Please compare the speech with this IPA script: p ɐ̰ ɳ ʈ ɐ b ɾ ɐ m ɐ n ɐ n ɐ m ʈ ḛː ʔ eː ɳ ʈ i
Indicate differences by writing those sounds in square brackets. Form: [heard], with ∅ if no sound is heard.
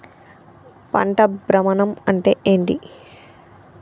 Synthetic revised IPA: p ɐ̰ ɳ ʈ ɐ b ɾ ɐ m ɐ n ɐ [m] ɐ [ɳ] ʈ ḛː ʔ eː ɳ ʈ i